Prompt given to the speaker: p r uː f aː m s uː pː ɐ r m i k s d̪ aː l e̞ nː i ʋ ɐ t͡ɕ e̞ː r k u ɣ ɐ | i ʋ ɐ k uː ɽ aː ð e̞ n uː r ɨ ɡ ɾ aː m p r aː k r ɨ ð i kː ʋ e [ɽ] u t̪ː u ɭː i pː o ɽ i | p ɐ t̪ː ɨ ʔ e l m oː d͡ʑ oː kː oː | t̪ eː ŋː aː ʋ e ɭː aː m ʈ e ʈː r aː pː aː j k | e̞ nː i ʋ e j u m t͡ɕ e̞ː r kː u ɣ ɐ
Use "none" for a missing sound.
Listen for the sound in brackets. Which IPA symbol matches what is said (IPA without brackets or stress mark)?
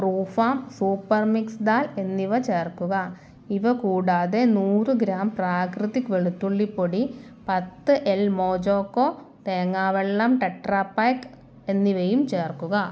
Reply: ɭ